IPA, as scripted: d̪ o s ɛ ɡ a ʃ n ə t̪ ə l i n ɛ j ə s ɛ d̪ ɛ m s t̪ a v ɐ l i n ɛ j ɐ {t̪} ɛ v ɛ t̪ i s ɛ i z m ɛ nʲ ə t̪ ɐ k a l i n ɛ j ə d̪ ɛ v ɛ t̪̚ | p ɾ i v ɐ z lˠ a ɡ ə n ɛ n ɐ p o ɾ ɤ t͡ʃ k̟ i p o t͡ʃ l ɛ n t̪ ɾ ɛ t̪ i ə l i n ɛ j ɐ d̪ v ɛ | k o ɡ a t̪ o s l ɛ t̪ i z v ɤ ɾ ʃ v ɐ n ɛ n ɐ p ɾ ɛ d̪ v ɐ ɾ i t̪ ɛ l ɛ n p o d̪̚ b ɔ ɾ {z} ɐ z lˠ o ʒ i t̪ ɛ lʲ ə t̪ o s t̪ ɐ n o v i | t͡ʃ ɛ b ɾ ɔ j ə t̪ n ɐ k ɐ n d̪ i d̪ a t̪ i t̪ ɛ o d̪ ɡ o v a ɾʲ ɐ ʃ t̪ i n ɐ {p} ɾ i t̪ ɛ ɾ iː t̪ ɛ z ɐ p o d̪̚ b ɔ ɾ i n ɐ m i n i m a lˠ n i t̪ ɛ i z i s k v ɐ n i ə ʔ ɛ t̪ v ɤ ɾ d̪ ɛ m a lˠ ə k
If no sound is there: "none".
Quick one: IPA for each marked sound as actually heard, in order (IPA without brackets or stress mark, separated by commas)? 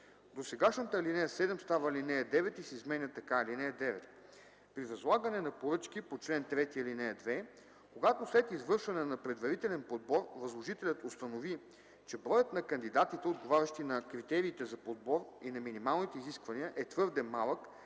d̪, v, k